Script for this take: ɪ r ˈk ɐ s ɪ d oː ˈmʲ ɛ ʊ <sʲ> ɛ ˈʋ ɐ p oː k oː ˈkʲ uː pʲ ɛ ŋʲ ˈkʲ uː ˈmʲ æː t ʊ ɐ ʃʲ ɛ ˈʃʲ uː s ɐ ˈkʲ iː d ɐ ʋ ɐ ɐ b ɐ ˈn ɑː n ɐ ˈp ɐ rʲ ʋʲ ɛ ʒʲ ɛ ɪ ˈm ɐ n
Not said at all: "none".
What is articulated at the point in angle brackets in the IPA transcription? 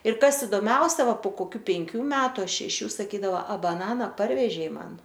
sʲ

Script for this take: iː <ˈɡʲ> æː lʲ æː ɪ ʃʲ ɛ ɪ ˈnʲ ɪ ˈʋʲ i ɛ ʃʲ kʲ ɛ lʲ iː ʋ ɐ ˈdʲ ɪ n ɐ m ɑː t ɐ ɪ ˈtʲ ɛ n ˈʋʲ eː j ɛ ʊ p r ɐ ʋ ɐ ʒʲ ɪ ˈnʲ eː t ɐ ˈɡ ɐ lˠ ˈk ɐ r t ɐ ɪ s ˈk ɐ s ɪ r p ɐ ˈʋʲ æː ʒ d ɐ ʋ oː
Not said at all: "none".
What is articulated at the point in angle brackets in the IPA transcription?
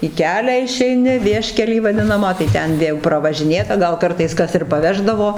kʲ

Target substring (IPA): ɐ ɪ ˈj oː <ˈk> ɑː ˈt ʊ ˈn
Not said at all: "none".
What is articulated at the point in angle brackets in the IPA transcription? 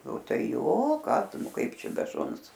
k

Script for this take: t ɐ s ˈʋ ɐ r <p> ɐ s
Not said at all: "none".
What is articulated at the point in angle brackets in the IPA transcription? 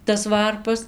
p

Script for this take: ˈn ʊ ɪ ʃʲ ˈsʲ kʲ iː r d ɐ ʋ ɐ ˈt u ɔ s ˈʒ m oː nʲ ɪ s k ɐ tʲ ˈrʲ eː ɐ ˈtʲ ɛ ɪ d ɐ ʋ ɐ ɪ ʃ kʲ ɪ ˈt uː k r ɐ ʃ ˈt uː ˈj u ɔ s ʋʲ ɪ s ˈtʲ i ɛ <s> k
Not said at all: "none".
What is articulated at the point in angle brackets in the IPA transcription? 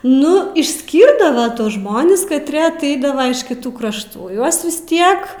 none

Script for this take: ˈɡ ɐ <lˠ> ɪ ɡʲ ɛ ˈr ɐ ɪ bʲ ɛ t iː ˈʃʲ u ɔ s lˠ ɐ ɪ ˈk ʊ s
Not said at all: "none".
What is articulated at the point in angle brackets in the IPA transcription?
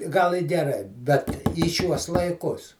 lˠ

